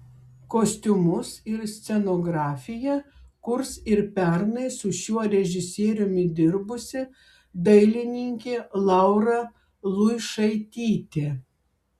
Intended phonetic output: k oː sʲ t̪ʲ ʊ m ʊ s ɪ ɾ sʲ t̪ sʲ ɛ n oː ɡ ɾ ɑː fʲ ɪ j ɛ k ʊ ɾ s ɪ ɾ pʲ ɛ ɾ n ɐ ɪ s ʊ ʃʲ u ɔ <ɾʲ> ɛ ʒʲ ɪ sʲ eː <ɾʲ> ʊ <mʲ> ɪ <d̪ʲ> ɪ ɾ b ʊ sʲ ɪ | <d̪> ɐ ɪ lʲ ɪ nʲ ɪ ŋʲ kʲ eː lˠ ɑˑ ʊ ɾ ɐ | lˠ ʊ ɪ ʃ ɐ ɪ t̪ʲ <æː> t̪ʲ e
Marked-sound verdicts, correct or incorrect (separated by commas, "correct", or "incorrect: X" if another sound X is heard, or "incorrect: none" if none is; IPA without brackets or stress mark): correct, correct, correct, correct, correct, incorrect: iː